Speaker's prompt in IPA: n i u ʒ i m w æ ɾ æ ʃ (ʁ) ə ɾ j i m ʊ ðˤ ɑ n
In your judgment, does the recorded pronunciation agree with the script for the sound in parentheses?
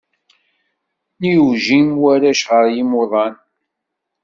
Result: yes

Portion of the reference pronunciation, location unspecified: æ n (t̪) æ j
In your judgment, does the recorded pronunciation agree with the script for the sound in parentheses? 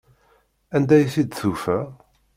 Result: no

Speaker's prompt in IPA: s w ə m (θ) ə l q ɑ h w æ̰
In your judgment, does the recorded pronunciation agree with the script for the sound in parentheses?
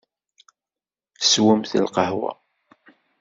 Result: yes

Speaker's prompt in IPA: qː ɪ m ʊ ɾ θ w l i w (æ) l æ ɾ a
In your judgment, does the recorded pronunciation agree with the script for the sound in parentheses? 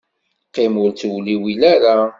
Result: no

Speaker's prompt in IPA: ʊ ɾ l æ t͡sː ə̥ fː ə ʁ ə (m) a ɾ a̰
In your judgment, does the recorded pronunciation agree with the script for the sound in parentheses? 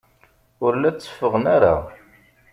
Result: no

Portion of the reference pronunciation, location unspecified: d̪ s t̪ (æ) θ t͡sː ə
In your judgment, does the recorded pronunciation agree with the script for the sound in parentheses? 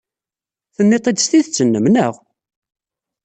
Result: no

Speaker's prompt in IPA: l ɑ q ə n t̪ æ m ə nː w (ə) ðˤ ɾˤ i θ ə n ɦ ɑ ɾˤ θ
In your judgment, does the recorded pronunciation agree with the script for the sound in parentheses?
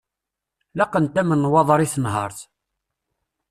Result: no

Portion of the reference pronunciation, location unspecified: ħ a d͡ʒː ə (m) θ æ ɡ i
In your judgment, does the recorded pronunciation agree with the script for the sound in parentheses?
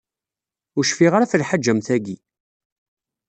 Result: yes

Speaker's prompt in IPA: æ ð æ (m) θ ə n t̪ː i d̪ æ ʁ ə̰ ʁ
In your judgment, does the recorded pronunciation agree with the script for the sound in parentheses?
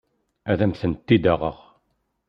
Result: yes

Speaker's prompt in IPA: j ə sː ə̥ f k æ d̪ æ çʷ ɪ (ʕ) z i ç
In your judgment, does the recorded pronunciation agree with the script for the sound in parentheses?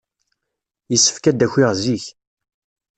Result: no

